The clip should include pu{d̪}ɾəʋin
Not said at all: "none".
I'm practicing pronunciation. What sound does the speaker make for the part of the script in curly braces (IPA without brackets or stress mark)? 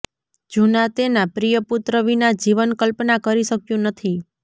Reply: t̪